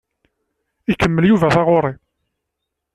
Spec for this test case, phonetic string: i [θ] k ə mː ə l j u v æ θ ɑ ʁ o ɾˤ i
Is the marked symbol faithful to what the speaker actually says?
no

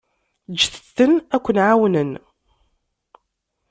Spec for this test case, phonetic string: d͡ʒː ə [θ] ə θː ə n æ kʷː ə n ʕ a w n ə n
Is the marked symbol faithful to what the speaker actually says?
yes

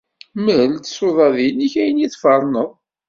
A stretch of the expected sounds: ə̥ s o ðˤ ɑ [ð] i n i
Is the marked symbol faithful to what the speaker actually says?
yes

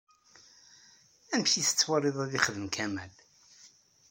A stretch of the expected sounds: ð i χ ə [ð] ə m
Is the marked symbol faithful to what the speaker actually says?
yes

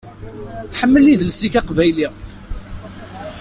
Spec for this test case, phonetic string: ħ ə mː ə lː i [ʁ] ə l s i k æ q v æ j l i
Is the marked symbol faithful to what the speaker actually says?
no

